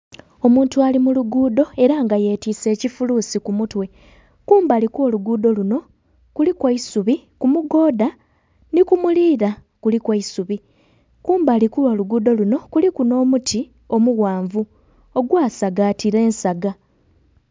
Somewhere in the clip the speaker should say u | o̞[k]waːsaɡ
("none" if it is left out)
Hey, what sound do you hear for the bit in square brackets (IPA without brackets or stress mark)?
ɡ